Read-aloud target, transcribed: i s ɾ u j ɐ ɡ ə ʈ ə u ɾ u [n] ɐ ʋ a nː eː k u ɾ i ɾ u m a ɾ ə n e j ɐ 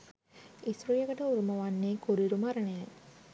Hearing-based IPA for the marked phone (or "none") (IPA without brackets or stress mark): m